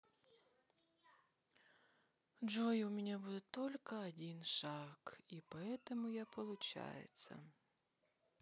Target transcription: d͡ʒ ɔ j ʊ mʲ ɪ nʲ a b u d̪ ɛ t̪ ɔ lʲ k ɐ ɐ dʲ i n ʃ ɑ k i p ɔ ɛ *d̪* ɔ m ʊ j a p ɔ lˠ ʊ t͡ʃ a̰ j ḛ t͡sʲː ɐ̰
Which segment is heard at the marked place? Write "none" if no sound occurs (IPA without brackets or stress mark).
t̪